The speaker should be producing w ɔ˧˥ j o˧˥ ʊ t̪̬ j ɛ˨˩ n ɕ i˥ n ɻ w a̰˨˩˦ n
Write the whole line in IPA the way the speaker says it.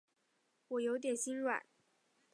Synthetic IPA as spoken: w ɔ˨˩ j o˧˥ ʊ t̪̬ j ɛ˨˩ n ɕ i˥ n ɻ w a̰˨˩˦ n